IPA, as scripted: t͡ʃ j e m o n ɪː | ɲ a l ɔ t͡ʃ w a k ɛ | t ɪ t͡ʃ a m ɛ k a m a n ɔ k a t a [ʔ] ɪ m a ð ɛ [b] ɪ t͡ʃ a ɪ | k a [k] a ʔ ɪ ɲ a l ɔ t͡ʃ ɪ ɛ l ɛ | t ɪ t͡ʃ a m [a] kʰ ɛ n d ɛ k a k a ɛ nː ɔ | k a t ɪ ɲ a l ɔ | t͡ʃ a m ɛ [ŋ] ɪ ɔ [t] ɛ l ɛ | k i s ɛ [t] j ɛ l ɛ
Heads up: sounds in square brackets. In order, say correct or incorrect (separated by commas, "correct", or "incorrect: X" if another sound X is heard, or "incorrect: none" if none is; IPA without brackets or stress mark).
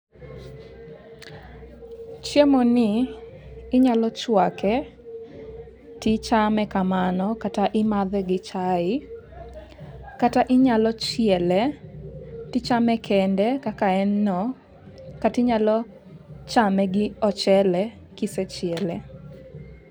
correct, incorrect: ɡ, incorrect: t, incorrect: ɛ, incorrect: ɡ, incorrect: t͡ʃ, incorrect: t͡ʃ